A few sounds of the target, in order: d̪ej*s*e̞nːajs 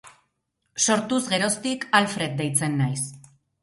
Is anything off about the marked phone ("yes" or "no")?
yes